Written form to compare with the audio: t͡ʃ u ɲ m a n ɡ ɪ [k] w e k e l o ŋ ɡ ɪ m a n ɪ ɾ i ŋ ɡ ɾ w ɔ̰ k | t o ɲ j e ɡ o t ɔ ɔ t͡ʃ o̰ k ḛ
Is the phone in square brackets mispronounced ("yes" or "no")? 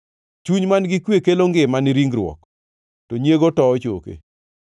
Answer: no